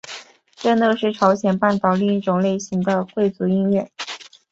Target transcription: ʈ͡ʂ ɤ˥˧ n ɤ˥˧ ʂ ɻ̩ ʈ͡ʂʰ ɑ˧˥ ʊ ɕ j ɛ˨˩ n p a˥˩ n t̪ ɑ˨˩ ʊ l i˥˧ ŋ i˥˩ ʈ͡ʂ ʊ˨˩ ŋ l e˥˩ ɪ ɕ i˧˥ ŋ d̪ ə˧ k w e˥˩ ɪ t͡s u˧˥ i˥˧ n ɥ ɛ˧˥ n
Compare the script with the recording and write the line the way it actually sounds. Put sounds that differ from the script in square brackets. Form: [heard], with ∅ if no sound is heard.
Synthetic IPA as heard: ʈ͡ʂ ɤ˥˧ n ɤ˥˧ ʂ ɻ̩ ʈ͡ʂʰ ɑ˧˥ ʊ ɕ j ɛ˨˩ n p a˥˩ n t̪ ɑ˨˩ ʊ l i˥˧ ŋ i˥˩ ʈ͡ʂ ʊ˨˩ ŋ l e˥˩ ɪ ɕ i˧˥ ŋ d̪ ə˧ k w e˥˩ ɪ t͡s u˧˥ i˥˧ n ɥ [ɛ˥˩] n